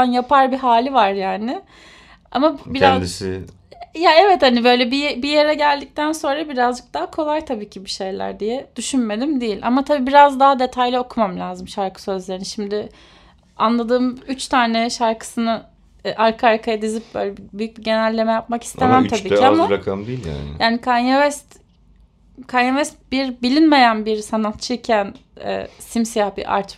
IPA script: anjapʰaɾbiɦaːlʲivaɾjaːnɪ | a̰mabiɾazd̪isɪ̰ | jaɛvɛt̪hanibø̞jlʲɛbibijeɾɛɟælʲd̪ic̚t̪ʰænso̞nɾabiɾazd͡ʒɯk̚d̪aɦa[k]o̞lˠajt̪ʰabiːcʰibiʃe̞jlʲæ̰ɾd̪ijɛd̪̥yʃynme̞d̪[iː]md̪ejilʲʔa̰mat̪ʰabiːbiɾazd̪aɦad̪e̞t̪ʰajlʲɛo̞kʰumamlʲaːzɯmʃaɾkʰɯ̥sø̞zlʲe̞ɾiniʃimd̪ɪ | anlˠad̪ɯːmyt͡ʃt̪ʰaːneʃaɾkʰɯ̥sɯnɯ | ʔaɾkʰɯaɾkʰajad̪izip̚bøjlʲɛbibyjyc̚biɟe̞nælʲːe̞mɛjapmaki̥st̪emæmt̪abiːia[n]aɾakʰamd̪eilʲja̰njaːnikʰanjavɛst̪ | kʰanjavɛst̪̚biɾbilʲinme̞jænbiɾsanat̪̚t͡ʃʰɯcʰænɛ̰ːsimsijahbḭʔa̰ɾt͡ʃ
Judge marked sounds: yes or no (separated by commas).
no, no, no